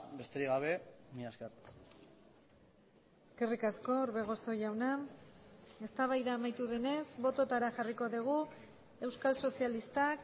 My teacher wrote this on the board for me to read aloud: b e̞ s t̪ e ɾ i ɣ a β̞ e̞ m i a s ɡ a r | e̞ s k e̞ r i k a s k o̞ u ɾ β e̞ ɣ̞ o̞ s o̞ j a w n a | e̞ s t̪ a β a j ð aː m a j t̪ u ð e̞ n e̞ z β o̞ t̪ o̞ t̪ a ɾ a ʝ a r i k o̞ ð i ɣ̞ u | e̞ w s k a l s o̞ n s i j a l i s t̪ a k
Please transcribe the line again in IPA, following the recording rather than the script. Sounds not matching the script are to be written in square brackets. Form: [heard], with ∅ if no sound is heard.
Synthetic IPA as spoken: b e̞ s t̪ e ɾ i ɣ a β̞ e̞ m i a s [k] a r | e̞ s k e̞ r i k a s k o̞ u ɾ β e̞ ɣ̞ o̞ s o̞ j a w n a | e̞ s t̪ a β a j ð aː m a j t̪ u ð e̞ n e̞ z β o̞ t̪ o̞ t̪ a ɾ a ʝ a r i k o̞ ð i ɣ̞ u | e̞ w s k a l s o̞ [∅] s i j a l i s t̪ a k